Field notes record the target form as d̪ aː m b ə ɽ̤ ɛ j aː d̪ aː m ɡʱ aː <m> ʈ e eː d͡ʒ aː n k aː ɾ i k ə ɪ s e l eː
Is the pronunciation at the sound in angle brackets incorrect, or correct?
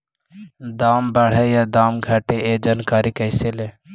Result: incorrect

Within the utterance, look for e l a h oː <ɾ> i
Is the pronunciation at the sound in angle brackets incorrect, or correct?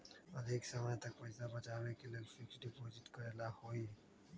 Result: incorrect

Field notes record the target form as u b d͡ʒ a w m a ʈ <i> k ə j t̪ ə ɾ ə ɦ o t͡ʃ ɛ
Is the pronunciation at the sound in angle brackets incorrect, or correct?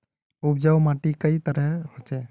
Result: correct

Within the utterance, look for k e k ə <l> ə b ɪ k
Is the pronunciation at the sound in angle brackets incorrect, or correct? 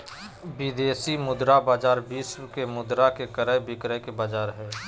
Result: incorrect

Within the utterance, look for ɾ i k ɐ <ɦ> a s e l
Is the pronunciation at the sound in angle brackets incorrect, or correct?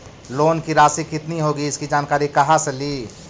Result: correct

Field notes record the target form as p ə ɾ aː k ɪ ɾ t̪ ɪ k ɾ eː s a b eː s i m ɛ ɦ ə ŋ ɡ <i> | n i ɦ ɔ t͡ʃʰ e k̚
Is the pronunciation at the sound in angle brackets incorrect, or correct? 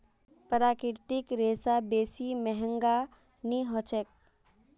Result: incorrect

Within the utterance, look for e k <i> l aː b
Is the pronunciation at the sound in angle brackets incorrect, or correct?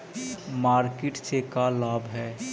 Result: incorrect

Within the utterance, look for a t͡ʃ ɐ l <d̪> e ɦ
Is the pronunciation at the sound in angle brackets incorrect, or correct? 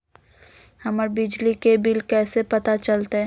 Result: incorrect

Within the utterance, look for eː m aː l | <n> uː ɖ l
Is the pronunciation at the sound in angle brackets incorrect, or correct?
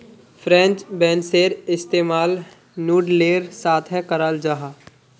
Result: correct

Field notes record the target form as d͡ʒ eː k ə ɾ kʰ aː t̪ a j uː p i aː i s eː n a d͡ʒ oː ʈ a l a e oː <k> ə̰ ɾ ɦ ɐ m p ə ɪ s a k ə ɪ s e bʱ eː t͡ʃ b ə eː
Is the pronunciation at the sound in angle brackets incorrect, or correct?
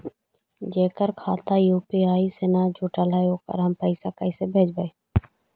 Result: correct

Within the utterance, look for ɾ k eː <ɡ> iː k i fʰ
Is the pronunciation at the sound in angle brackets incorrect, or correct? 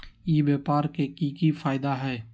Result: incorrect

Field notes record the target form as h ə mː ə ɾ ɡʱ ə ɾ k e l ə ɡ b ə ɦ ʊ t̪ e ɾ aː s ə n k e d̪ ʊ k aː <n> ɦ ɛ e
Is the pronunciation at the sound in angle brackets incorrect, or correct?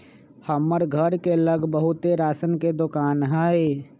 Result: correct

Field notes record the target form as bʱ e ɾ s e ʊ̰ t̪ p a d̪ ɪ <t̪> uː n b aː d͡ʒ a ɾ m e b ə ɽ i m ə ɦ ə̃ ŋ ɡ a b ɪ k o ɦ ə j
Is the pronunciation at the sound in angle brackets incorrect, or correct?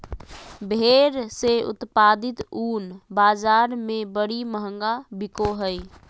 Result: correct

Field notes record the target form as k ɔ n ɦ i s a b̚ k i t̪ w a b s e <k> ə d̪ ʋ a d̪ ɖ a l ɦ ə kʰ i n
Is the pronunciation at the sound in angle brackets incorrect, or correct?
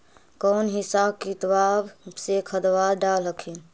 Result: incorrect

